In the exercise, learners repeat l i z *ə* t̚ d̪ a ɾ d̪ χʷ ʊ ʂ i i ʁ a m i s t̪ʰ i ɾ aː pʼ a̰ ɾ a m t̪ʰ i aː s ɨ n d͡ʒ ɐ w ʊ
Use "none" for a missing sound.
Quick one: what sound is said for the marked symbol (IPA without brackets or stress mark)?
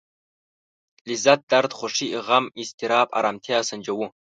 a